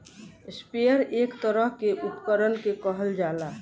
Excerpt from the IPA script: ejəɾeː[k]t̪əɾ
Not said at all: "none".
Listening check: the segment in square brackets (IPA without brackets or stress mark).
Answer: k